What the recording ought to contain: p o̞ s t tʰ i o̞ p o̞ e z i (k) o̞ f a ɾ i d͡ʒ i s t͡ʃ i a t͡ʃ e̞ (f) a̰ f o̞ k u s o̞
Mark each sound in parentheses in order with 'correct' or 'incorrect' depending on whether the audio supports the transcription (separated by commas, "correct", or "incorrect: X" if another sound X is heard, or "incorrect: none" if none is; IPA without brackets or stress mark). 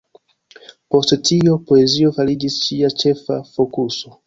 incorrect: none, correct